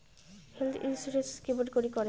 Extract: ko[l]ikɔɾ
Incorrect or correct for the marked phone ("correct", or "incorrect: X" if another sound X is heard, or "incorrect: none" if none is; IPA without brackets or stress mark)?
incorrect: ɾ